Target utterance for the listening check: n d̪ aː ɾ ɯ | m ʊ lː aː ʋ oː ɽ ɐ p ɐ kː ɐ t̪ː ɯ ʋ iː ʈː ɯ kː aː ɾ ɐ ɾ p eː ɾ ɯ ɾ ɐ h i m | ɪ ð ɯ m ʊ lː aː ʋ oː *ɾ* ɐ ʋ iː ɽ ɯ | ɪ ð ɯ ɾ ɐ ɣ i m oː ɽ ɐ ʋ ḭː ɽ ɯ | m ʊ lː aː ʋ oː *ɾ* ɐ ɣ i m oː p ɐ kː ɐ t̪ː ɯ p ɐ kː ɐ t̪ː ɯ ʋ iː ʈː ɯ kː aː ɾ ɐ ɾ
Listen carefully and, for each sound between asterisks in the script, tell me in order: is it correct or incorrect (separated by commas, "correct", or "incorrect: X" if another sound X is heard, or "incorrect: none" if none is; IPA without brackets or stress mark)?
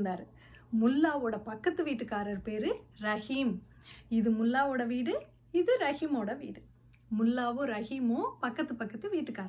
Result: incorrect: ɽ, correct